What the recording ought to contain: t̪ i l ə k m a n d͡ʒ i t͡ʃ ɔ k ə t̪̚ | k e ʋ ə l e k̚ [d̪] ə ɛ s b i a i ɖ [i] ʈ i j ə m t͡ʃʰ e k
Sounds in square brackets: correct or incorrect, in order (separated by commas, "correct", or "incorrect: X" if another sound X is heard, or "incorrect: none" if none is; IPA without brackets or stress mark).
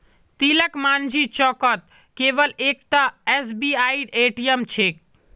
incorrect: t̪, incorrect: e